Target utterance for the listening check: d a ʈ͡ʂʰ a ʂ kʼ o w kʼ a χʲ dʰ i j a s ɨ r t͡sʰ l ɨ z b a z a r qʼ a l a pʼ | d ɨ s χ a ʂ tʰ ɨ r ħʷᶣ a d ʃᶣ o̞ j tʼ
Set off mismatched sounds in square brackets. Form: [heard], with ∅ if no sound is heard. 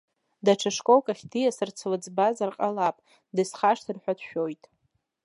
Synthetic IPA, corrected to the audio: d a ʈ͡ʂʰ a ʂ kʼ o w kʼ a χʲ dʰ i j a s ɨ r t͡sʰ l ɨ [d͡z] b a z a r qʼ a l a pʼ | d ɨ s χ a ʂ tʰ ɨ r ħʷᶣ a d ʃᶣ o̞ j tʼ